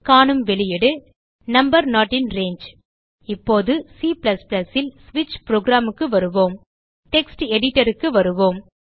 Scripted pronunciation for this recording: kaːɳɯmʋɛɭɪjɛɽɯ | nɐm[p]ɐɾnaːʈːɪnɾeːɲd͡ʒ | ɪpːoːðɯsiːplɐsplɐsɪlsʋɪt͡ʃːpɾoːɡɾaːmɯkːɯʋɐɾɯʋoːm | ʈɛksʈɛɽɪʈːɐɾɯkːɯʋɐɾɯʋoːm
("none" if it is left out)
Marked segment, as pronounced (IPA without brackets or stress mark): b